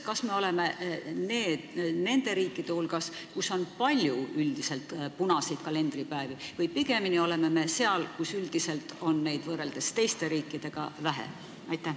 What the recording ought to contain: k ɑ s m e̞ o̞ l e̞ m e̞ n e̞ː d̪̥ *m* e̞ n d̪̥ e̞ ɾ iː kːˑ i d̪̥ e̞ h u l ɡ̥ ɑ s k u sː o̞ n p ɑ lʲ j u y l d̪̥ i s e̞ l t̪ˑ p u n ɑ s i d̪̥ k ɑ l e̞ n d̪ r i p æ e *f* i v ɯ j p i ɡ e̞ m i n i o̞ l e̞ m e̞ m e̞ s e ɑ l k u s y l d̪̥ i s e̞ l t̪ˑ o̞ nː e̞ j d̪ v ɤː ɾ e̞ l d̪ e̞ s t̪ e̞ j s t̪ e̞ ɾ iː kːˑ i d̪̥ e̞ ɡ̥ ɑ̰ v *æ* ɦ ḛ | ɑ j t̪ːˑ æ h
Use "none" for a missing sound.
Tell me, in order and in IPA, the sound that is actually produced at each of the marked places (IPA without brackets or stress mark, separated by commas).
n, v, æ